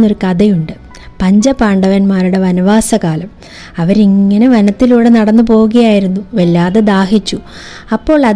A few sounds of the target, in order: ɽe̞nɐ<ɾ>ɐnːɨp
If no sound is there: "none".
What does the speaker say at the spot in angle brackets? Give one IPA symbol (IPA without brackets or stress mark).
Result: ɽ